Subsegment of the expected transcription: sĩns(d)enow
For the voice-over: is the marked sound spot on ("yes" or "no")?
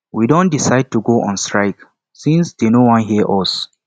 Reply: yes